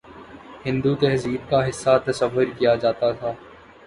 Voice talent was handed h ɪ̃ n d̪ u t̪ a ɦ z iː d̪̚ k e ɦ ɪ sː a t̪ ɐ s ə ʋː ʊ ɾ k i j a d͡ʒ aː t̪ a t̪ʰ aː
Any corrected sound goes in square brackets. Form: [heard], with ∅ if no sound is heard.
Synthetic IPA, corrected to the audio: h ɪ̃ n d̪ u t̪ [ɛ] ɦ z iː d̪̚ k [a] ɦ ɪ sː a t̪ ɐ s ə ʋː ʊ ɾ k i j a d͡ʒ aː t̪ a t̪ʰ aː